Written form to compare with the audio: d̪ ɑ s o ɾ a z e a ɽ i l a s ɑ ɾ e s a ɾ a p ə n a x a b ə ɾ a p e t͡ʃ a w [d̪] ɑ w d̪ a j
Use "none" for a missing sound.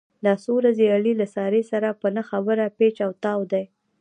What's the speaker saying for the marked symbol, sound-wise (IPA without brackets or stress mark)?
t̪